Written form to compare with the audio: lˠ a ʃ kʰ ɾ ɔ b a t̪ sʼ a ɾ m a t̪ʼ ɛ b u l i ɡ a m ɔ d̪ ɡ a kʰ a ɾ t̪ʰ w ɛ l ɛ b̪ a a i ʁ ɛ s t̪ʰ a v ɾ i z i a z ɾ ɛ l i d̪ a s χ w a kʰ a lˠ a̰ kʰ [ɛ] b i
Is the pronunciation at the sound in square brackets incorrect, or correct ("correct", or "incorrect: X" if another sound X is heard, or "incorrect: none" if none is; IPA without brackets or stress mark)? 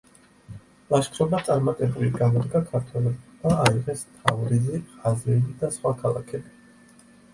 correct